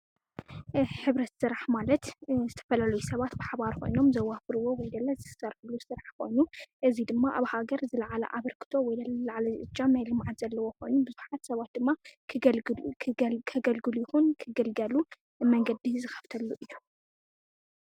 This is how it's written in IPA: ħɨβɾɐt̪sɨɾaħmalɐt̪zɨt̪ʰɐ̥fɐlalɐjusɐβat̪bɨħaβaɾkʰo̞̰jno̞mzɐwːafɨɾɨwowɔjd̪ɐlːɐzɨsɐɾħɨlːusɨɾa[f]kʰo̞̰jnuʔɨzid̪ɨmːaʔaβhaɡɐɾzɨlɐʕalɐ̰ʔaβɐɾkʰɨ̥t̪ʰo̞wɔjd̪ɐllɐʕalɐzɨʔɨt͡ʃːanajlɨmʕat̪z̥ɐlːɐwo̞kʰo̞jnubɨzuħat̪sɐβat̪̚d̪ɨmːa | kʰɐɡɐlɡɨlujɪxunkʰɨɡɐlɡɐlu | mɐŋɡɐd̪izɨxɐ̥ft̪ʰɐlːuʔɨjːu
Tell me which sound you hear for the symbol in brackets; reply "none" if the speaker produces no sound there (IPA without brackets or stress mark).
ħ